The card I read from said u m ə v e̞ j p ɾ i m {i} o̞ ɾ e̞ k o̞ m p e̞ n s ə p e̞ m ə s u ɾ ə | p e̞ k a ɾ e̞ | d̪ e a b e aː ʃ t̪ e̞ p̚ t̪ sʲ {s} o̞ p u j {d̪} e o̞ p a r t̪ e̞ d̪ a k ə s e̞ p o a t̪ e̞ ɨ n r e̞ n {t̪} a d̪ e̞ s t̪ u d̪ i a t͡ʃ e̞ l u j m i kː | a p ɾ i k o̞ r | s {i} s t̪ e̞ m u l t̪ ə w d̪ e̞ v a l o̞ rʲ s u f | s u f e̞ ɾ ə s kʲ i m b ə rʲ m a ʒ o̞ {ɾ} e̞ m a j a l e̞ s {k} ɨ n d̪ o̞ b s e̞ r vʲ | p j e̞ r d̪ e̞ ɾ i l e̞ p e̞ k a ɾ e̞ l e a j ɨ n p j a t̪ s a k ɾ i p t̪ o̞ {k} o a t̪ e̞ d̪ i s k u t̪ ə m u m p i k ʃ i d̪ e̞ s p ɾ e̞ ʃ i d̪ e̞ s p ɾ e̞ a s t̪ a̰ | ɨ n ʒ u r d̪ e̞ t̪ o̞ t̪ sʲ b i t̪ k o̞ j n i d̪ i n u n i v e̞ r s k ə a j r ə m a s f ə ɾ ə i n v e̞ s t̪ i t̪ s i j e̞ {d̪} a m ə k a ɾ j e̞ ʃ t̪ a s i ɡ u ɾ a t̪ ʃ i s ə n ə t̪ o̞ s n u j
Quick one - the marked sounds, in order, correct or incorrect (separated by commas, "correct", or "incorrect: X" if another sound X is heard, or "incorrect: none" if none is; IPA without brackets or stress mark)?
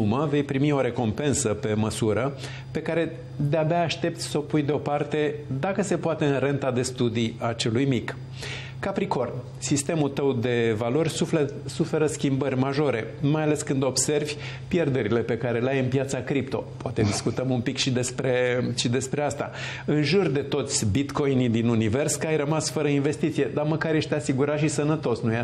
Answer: correct, correct, correct, correct, correct, correct, correct, incorrect: p, correct